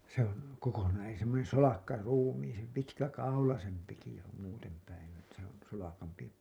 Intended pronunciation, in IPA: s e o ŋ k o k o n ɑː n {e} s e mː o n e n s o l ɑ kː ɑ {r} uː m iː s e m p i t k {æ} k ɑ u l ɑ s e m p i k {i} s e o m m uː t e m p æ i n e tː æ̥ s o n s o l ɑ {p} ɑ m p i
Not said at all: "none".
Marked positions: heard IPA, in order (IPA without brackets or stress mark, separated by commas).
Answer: e, r, æ, i, k